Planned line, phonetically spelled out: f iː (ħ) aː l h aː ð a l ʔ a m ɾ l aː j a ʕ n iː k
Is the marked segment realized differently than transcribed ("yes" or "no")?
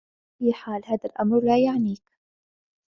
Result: no